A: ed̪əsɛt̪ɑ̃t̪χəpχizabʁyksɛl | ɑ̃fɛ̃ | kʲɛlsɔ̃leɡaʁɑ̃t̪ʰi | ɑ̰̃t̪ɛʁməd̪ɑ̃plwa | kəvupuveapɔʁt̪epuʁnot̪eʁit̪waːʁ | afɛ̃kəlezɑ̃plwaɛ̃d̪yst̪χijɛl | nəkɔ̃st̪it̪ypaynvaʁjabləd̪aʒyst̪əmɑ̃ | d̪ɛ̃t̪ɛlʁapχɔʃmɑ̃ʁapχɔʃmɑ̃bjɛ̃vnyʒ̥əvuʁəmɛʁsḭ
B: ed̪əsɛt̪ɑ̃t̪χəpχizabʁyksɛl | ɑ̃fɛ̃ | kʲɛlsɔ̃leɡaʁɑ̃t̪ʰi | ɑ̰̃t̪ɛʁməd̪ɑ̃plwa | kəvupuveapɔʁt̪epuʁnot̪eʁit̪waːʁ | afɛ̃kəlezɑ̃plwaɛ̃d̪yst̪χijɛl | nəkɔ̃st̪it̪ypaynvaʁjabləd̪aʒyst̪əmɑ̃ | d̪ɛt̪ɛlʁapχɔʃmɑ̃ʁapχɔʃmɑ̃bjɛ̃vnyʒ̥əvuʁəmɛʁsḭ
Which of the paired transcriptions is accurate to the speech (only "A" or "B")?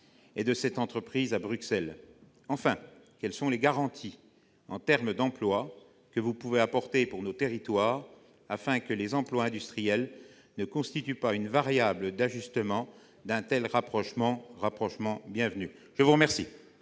A